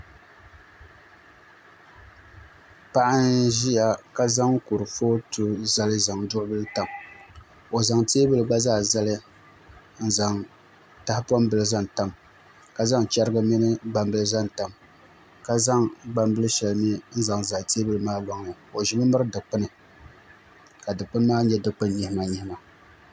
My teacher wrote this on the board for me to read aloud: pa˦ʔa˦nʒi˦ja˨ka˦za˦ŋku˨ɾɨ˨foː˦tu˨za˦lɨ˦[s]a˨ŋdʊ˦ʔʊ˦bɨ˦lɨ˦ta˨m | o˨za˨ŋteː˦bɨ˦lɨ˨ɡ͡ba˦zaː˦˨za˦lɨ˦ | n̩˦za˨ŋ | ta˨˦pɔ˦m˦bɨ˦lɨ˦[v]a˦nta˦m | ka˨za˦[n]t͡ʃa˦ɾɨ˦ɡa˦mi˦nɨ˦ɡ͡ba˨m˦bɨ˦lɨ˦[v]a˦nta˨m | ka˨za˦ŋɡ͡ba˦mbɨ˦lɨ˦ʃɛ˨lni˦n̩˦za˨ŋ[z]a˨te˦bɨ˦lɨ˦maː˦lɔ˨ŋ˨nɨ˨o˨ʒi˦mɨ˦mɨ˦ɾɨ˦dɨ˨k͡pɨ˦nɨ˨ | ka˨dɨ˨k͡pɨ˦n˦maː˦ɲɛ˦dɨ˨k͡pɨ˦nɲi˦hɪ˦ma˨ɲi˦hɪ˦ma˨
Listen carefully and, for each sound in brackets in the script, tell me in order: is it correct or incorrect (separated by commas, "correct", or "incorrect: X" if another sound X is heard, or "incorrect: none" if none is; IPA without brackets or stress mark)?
incorrect: z, incorrect: z, incorrect: ŋ, incorrect: z, correct